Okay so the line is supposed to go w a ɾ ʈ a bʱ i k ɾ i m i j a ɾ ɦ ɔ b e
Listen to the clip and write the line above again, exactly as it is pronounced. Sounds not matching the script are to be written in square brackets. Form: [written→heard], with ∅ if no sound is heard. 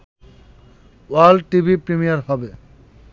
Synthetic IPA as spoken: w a [ɾ→l] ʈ [a→i] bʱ i [k→p] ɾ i m i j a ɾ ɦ ɔ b e